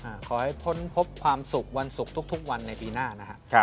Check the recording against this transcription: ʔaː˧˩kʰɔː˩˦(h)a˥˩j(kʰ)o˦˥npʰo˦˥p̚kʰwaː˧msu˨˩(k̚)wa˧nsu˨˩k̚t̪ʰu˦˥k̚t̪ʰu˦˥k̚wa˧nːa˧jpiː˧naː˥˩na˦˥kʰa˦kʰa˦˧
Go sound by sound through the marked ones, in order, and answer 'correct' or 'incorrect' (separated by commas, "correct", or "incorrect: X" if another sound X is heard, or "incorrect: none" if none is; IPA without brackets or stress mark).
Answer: correct, incorrect: pʰ, correct